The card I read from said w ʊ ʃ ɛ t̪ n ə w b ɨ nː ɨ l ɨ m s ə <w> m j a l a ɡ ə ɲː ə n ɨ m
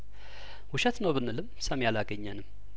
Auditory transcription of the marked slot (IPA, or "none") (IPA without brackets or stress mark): none